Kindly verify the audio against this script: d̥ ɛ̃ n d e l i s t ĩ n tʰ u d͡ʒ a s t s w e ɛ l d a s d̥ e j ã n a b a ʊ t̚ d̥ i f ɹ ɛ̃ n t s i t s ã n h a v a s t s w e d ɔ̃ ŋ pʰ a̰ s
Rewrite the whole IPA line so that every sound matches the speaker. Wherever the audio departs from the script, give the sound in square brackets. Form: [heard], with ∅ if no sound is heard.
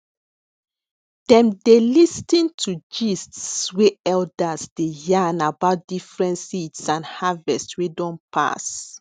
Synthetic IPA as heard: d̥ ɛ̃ [m] d e l i s t ĩ n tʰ u d͡ʒ [i] s t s w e ɛ l d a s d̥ e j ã n a b a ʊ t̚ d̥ i f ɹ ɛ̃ n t s i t s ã n h a v [ɛ] s t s w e d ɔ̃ [n] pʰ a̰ s